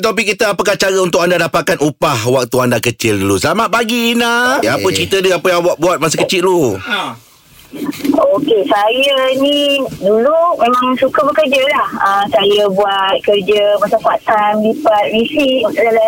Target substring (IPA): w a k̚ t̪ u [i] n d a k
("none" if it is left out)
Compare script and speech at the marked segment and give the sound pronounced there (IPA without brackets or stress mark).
a